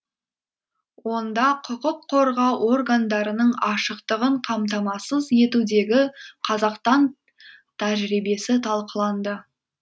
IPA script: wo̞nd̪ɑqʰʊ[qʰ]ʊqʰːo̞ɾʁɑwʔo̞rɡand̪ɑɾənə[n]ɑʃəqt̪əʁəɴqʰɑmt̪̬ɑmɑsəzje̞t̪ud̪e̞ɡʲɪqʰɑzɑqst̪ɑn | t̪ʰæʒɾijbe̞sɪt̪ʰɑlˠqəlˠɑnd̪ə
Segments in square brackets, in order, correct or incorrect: incorrect: q, incorrect: ɴ

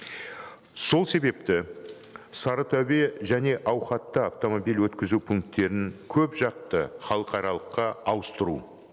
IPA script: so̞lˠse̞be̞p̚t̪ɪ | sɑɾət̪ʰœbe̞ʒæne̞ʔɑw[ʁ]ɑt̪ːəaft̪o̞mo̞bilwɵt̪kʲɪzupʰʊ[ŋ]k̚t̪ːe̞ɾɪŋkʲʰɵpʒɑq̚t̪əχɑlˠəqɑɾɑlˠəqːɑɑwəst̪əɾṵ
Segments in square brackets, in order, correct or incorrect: incorrect: χ, correct

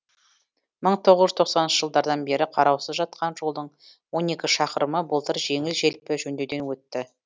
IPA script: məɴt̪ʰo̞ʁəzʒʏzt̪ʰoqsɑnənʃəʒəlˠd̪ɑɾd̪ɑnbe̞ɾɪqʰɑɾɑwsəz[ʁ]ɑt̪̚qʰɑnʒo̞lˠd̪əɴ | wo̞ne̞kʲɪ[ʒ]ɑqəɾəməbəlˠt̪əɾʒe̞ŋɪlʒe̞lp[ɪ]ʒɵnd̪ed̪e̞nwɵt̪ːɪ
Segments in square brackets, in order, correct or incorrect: incorrect: ʒ, incorrect: ʃ, correct

